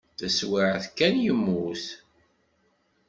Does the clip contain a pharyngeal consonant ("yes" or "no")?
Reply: yes